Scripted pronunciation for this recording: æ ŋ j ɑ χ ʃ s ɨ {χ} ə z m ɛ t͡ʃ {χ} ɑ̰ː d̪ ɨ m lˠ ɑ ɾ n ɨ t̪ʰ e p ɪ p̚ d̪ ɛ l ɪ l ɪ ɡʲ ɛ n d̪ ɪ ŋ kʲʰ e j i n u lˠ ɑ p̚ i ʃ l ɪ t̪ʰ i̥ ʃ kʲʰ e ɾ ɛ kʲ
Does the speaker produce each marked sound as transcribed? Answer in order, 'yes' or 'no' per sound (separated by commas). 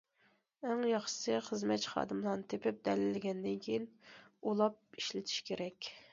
yes, yes